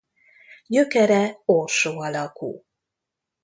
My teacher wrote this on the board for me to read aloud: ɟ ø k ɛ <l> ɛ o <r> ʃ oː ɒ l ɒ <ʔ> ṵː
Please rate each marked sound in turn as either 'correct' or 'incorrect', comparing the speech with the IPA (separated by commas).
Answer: incorrect, correct, incorrect